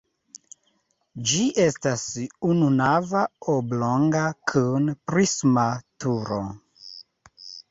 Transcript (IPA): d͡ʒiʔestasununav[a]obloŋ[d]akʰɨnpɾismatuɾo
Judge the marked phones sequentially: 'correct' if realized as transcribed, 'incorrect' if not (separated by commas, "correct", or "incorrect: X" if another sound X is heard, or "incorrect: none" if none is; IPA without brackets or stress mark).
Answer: correct, incorrect: ɡ